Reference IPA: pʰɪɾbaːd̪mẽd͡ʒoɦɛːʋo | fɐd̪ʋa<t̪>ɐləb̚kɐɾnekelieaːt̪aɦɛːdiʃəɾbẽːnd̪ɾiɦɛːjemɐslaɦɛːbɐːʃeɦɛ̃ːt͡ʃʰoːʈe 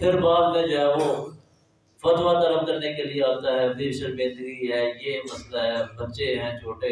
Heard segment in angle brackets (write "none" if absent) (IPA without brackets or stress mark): t̪